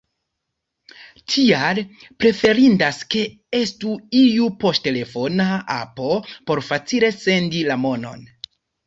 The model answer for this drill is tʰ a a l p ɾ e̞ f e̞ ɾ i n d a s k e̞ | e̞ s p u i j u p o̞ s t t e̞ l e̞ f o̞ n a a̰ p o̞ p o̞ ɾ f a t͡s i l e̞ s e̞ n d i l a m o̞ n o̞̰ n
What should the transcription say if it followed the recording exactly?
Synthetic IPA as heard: tʰ i a l p ɾ e̞ f e̞ ɾ i n d a s k e̞ | e̞ s t u i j u p o̞ s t t e̞ l e̞ f o̞ n a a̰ p o̞ p o̞ ɾ f a t͡s i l e̞ s e̞ n d i l a m o̞ n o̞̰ n